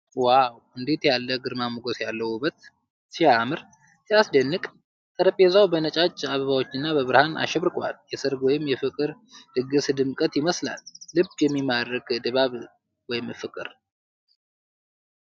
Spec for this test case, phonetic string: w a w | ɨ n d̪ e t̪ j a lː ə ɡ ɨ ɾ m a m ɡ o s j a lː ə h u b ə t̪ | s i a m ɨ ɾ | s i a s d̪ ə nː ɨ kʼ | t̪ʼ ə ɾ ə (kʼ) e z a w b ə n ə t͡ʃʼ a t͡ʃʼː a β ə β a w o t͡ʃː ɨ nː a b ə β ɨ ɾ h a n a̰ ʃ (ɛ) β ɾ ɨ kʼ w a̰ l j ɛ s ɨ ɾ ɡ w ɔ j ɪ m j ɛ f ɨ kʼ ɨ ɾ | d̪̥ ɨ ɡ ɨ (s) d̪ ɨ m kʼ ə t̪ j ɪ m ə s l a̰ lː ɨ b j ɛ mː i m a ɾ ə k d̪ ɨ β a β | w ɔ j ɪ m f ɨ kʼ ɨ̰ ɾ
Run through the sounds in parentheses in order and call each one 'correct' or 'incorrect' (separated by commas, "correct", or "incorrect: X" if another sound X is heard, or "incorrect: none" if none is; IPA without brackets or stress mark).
incorrect: pʼ, correct, correct